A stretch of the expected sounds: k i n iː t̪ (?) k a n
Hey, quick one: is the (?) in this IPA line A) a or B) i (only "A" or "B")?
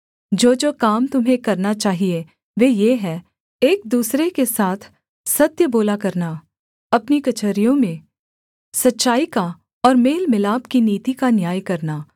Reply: B